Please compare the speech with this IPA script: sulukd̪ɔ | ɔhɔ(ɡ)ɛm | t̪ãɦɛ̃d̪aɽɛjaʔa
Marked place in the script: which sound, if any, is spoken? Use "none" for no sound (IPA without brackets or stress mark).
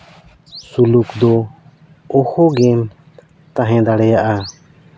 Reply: ɡ